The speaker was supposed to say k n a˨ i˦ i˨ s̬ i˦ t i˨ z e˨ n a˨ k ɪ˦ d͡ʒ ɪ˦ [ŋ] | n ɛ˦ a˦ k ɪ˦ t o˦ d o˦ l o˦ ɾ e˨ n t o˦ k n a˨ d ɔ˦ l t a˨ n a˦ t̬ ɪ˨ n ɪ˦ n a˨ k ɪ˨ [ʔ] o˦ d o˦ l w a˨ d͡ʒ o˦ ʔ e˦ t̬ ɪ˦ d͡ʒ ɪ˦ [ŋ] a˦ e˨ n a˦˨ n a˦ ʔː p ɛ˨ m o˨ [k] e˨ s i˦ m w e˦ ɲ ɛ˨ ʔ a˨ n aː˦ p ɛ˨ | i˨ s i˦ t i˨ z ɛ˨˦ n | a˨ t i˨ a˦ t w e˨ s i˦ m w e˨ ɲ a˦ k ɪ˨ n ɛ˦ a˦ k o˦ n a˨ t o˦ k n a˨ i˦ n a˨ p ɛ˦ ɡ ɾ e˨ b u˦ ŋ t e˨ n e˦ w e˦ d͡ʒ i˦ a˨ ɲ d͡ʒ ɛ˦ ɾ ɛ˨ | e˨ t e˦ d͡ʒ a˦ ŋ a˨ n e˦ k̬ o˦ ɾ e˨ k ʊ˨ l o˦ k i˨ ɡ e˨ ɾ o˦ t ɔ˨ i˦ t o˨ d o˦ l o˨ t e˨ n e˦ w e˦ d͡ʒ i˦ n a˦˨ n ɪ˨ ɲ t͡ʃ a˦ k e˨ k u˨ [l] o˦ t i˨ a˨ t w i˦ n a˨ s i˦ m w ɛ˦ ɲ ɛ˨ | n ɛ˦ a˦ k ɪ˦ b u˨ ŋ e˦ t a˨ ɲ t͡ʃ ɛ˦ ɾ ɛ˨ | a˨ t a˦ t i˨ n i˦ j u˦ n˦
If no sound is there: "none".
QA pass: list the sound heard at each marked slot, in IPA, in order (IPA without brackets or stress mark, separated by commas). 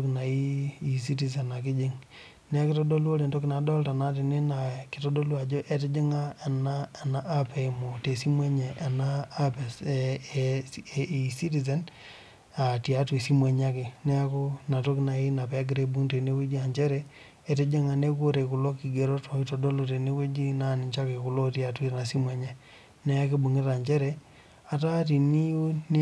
ŋ, t, ŋ, t, l